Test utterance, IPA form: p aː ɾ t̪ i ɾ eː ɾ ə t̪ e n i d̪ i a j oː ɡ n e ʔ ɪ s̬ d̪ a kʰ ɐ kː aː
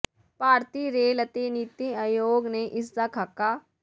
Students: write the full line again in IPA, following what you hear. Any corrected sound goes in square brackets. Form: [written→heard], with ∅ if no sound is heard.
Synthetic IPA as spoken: p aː ɾ t̪ i ɾ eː [ɾ→l] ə t̪ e n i [d̪→t̪] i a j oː ɡ n e ʔ ɪ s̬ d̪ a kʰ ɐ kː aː